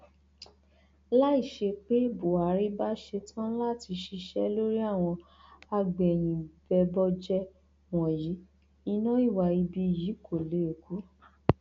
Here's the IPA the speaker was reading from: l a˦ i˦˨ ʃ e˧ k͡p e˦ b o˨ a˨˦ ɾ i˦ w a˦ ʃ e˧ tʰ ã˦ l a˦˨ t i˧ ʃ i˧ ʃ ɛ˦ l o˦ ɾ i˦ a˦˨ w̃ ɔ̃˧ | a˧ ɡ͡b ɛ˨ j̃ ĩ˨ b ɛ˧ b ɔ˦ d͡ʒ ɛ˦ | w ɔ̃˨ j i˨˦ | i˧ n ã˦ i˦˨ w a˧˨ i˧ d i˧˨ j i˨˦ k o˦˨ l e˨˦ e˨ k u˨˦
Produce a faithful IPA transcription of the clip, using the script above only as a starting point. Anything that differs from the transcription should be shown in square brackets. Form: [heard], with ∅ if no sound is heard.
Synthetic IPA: l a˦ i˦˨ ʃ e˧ k͡p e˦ b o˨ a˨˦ ɾ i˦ [b] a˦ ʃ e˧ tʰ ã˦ l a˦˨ t i˧ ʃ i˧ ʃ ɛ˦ l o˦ ɾ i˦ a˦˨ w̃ ɔ̃˧ | a˧ ɡ͡b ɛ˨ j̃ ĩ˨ b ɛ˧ b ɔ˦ d͡ʒ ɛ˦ | w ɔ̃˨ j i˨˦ | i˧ n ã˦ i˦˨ w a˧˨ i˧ [b] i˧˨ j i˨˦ k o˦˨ l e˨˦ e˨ k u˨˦